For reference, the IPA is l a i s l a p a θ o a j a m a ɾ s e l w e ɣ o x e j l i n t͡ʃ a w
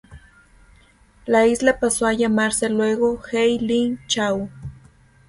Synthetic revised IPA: l a i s l a p a s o a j a m a ɾ s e l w e ɣ o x e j l i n t͡ʃ a w